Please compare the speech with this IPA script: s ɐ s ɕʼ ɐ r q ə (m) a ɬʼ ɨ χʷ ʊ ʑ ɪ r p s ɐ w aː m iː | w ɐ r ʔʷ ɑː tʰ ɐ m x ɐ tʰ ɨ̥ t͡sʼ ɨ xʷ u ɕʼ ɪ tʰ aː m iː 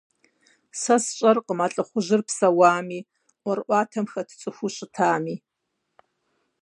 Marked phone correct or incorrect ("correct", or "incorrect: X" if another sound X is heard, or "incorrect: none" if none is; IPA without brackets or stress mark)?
correct